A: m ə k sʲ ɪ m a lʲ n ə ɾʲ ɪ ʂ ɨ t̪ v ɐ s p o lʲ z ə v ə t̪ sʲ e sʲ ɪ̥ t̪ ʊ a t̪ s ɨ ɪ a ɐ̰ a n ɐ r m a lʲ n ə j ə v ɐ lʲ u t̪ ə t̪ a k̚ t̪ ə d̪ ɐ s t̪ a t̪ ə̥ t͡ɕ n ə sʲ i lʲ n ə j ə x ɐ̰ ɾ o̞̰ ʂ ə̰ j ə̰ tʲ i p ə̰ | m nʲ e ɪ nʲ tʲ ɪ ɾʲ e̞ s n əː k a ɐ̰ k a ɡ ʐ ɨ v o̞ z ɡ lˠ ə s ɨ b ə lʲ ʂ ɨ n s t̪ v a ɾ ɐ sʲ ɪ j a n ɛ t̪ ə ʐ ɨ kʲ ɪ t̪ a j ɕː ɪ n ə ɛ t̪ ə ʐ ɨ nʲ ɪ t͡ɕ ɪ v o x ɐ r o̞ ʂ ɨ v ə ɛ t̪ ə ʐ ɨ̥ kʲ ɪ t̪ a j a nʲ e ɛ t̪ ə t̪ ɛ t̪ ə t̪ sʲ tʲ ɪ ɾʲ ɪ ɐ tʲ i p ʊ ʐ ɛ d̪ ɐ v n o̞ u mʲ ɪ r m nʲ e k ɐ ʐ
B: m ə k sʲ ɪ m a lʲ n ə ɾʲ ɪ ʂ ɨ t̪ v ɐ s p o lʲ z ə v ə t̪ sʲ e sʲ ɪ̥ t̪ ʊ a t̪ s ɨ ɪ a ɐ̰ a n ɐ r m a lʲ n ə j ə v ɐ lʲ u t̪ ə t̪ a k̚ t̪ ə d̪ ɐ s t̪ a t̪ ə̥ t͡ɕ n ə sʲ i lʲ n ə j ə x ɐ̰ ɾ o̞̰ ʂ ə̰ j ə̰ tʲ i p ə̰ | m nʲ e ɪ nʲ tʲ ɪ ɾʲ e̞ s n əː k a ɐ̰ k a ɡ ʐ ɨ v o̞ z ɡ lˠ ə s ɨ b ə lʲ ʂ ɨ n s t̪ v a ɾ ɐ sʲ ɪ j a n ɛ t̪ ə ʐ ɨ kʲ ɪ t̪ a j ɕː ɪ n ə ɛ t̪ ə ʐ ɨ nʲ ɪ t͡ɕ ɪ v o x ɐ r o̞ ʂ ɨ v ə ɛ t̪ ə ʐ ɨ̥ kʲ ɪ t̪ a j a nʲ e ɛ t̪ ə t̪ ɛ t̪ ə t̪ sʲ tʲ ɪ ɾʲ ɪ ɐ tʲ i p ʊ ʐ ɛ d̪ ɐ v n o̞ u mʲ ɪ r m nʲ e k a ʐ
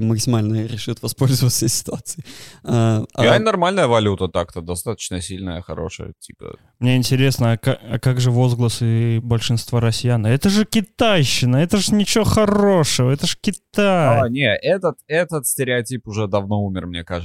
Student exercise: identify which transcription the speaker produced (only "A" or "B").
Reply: B